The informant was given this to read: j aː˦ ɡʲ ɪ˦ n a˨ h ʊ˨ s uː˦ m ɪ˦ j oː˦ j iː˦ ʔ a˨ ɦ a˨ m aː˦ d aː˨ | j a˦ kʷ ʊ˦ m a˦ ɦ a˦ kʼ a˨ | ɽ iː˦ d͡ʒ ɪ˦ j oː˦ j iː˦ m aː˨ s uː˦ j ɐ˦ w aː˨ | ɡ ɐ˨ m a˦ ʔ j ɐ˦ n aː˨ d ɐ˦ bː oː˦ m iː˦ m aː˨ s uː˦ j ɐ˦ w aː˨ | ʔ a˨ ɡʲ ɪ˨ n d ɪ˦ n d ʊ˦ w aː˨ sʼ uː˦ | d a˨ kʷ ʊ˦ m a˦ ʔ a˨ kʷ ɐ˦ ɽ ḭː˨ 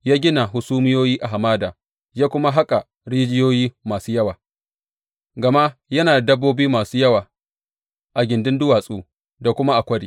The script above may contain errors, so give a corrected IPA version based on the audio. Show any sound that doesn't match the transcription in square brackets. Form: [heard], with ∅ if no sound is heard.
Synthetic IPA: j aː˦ ɡʲ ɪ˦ n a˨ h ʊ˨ s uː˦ m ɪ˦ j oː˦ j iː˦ ʔ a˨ ɦ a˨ m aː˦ d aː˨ | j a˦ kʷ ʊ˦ m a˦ ɦ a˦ kʼ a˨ | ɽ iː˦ d͡ʒ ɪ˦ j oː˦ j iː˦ m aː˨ s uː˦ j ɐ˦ w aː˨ | ɡ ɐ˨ m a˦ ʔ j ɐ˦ n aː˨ d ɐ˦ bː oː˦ [b] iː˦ m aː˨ s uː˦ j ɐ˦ w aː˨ | ʔ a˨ ɡʲ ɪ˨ n d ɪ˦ n d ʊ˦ w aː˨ sʼ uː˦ | d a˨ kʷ ʊ˦ m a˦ ʔ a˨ kʷ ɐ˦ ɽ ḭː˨